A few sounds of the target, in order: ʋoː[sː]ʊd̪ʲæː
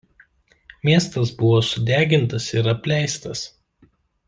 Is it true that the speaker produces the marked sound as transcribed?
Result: no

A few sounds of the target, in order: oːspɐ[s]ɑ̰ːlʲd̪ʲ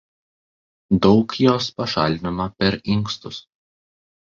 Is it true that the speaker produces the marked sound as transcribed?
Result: no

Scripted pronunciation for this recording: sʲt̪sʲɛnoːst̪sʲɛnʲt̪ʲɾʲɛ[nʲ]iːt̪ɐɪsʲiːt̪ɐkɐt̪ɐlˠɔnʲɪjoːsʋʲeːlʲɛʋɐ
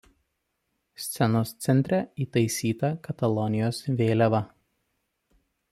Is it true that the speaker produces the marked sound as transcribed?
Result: no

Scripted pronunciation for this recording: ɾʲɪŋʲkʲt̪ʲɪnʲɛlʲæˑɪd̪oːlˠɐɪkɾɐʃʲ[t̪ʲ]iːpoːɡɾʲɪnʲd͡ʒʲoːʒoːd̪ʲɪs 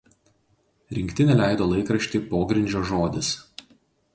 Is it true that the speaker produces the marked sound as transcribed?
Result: yes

